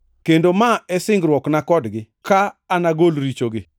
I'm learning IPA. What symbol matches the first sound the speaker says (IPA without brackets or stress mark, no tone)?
k